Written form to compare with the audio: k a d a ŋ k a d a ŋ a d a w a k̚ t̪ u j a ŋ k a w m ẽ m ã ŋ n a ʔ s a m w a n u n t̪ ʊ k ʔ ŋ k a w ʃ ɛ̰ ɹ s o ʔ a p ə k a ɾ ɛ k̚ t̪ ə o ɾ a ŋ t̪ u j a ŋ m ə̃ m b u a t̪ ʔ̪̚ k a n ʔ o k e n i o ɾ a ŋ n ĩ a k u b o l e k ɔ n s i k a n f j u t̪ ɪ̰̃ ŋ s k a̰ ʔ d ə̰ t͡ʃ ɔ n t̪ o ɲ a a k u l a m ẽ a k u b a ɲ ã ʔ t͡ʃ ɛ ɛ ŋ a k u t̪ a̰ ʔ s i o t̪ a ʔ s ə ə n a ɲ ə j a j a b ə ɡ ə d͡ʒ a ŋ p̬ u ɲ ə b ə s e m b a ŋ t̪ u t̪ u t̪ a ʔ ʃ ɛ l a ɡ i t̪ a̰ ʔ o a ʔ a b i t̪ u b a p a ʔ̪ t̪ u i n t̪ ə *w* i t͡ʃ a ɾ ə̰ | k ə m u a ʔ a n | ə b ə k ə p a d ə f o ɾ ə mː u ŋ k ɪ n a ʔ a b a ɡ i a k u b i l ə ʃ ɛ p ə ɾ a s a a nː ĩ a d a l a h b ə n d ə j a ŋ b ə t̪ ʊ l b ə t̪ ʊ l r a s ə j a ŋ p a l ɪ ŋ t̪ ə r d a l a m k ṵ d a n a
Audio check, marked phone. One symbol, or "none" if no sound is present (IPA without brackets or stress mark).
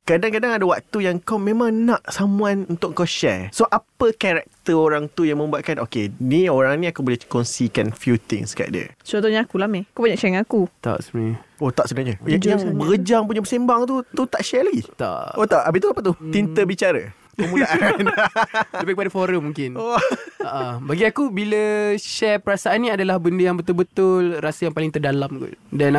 b